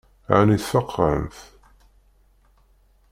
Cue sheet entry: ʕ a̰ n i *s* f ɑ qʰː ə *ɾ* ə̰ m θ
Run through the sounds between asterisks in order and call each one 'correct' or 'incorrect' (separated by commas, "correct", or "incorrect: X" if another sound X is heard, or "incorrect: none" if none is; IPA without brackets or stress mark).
incorrect: θ, correct